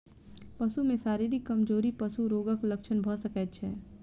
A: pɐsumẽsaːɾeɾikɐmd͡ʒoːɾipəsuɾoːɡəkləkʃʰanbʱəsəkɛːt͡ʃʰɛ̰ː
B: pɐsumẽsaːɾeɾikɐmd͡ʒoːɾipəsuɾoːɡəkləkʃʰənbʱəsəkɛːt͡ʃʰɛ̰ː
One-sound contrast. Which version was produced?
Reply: B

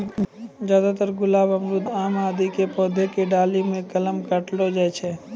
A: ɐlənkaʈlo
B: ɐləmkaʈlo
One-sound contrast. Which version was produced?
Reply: B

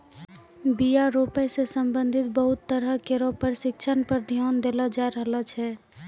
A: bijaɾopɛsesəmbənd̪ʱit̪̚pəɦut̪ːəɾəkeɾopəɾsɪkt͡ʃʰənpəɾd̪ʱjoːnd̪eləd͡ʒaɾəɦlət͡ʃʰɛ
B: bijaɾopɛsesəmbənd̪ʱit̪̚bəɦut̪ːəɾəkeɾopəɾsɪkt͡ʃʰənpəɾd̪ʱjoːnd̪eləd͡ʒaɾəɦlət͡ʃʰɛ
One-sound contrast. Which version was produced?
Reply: B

